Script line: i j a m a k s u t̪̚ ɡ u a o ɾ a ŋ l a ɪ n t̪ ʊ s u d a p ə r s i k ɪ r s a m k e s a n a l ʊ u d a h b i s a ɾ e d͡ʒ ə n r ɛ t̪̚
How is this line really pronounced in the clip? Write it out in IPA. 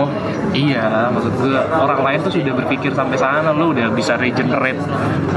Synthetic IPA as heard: i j a m a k s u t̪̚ ɡ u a o ɾ a ŋ l a ɪ n t̪ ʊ s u d a b ə r f i k ɪ r s a m p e s a n a l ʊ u d a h b i s a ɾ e d͡ʒ ə n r ɛ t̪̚